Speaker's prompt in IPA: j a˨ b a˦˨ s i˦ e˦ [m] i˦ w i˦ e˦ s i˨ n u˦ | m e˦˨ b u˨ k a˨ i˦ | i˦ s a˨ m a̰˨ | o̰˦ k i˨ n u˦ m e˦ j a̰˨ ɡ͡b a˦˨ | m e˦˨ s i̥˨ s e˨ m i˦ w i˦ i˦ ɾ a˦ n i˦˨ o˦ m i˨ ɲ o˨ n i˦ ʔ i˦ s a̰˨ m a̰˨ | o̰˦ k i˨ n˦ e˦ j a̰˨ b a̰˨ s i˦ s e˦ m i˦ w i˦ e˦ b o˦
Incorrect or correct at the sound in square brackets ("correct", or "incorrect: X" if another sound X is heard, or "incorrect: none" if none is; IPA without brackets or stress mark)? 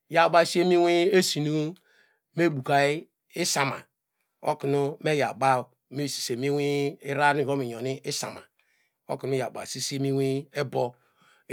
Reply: correct